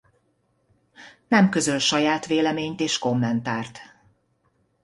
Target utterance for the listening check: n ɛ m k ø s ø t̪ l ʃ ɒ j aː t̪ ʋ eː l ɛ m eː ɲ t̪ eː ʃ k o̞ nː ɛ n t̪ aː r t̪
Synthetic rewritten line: n ɛ m k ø z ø l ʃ ɒ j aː t̪ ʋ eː l ɛ m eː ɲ t̪ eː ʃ k o̞ mː ɛ n t̪ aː r t̪